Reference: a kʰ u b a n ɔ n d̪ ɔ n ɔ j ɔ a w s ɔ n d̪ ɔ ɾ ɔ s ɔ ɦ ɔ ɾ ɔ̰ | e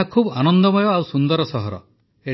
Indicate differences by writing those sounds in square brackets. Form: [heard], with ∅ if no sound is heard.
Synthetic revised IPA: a kʰ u b a n ɔ n d̪ ɔ [m] ɔ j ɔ a w s [u] n d̪ ɔ ɾ ɔ s ɔ ɦ ɔ ɾ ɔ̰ | e